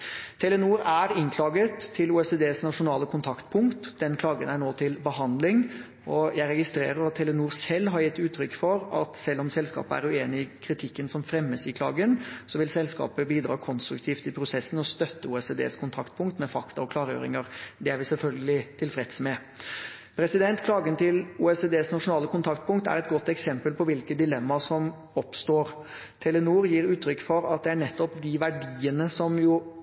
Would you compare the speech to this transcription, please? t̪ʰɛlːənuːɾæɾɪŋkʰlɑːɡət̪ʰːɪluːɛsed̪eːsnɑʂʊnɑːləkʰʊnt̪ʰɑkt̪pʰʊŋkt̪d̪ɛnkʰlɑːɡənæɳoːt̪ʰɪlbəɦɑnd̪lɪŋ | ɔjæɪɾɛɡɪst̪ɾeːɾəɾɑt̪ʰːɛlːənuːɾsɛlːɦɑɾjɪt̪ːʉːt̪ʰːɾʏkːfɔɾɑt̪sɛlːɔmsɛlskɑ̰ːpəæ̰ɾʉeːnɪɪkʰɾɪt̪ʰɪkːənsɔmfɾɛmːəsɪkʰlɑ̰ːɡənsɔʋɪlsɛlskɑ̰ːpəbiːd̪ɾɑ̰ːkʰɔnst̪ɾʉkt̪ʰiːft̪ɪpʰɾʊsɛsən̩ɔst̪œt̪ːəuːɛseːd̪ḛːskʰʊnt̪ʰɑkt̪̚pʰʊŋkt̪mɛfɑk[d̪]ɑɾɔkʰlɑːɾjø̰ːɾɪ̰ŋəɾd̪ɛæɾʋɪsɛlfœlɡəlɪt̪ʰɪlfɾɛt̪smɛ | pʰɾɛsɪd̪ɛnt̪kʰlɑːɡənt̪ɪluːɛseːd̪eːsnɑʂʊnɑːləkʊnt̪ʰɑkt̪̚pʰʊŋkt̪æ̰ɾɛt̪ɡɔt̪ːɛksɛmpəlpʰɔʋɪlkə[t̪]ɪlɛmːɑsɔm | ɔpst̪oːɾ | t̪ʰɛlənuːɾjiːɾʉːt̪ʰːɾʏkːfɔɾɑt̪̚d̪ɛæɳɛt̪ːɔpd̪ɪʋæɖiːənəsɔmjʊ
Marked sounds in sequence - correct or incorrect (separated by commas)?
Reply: incorrect, incorrect